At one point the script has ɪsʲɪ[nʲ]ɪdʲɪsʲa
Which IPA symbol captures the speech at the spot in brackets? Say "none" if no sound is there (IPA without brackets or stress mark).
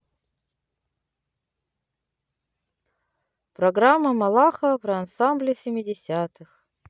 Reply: mʲ